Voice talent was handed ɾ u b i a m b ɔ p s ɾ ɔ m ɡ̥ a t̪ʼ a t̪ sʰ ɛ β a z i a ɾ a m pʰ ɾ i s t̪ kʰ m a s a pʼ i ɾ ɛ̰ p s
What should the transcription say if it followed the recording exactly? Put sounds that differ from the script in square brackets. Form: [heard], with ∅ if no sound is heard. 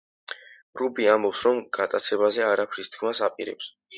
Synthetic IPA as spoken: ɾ u b i a m b ɔ p s ɾ ɔ m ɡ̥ a t̪ʼ a t̪ sʰ ɛ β a z [ɛ] a ɾ a [∅] pʰ ɾ i s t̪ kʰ m a s a pʼ i ɾ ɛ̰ p s